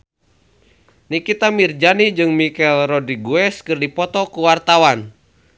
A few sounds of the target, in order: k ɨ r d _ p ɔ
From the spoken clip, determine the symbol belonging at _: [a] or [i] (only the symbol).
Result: i